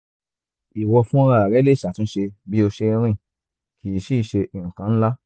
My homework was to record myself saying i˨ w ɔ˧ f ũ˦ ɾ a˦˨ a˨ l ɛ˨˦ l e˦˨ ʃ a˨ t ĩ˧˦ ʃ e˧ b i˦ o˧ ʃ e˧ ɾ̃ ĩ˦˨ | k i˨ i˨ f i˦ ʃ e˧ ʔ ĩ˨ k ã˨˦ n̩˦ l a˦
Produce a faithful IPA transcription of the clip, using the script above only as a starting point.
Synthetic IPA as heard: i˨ w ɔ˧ f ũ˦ ɾ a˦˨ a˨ ɾ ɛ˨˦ l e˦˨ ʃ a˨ t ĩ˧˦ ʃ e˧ b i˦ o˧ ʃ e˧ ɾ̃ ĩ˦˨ | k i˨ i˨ ʃ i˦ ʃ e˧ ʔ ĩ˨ k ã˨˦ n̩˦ l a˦